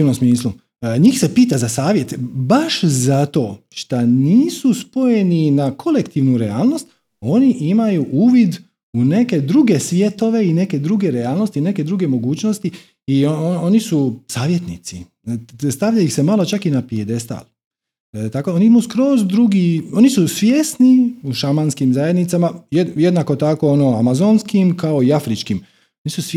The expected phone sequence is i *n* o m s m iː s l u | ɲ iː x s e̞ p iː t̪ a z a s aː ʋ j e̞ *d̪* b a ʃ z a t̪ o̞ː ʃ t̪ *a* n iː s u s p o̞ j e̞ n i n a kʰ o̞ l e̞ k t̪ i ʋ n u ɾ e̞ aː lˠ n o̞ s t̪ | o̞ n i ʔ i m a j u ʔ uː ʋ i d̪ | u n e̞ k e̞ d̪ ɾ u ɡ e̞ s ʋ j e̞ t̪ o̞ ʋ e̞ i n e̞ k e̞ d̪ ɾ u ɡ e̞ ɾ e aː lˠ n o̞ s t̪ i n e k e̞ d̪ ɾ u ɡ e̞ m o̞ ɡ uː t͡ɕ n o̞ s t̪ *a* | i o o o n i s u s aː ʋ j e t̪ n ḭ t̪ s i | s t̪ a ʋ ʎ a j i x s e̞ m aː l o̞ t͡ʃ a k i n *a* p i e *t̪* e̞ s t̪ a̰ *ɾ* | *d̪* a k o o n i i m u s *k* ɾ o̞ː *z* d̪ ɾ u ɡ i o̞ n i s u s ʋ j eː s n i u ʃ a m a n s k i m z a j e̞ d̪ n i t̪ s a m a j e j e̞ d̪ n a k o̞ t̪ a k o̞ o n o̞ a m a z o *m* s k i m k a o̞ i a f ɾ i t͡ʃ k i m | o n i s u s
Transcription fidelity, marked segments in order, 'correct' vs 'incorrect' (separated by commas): correct, incorrect, correct, incorrect, correct, incorrect, incorrect, incorrect, correct, correct, incorrect